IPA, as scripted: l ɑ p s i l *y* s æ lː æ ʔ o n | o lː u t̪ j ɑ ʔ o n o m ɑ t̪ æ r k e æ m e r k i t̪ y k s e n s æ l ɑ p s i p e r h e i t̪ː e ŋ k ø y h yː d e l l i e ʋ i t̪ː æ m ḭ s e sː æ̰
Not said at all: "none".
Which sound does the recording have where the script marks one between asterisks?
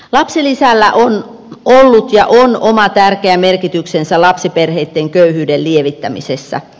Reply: i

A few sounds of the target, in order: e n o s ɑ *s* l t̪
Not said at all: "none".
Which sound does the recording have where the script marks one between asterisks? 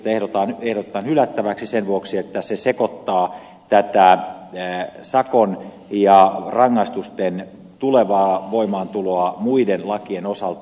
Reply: none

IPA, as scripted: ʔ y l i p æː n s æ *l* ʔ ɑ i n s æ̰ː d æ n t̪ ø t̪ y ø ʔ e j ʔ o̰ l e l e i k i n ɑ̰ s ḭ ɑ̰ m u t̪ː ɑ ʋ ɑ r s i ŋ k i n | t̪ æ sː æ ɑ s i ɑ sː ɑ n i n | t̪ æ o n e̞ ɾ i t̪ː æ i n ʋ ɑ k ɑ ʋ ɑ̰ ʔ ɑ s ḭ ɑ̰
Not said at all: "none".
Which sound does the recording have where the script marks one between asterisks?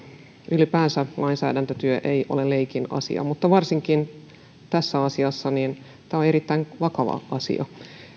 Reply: l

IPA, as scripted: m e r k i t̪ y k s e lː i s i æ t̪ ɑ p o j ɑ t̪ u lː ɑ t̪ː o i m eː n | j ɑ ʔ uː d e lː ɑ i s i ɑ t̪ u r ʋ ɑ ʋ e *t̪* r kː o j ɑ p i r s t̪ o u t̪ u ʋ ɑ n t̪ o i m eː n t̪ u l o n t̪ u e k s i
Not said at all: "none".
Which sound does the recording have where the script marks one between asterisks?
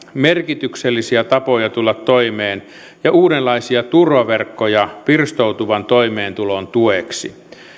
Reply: none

